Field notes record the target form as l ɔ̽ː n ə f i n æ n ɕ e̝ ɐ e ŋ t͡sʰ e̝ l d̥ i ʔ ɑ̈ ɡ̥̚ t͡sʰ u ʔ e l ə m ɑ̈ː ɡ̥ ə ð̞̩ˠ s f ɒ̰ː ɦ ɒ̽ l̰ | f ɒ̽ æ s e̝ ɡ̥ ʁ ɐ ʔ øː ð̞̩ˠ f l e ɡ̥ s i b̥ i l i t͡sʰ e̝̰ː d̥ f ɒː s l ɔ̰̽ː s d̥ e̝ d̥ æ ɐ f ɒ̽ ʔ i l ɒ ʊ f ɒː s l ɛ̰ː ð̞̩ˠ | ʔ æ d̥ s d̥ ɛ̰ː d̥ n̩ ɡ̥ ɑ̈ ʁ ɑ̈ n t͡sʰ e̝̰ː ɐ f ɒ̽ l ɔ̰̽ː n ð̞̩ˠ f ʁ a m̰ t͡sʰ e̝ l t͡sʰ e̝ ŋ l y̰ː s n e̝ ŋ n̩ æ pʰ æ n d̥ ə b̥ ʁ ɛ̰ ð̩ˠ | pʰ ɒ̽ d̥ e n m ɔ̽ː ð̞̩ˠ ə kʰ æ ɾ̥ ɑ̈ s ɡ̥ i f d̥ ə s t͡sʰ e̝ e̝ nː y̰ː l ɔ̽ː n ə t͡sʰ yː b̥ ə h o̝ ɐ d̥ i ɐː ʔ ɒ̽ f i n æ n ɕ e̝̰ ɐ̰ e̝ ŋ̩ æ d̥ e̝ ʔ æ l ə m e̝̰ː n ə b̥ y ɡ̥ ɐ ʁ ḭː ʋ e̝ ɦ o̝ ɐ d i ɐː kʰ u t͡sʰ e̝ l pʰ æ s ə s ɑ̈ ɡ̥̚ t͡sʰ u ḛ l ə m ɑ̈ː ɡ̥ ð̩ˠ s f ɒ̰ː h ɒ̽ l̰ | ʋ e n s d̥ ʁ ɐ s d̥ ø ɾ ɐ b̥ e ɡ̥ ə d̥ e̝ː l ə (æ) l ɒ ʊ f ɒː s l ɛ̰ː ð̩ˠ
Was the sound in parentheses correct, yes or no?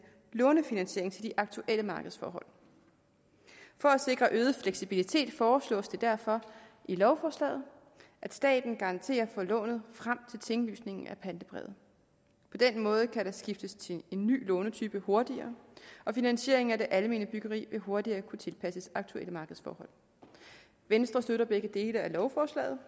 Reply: yes